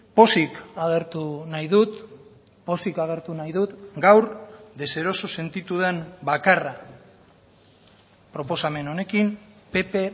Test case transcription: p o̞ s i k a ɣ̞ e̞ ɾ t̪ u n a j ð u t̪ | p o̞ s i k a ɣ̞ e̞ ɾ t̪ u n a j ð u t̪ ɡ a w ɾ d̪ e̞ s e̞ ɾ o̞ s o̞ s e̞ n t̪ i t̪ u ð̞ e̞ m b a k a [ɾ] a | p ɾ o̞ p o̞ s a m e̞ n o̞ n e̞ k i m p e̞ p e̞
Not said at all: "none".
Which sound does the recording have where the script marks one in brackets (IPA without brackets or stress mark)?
r